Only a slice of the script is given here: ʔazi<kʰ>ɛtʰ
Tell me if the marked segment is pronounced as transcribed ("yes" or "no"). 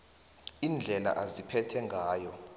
no